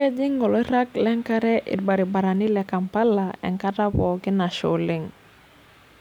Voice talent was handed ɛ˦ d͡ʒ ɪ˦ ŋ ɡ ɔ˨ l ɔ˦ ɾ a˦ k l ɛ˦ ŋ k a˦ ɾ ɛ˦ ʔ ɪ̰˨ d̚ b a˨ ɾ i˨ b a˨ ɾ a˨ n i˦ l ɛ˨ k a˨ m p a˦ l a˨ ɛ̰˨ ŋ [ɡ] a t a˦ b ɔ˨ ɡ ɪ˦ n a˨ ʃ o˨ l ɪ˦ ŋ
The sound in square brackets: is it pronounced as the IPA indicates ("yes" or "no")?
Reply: no